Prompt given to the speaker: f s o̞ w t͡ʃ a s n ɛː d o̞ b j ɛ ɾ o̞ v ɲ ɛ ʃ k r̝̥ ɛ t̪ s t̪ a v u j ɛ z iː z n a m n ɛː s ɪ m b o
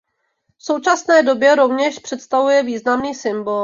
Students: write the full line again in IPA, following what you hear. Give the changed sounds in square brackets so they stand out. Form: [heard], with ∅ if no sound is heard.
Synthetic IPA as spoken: f s o̞ w t͡ʃ a s n ɛː d o̞ b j ɛ ɾ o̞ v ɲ ɛ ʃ [p] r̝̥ ɛ t̪ s t̪ a v u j ɛ [v] iː z n a m n [iː] s ɪ m b o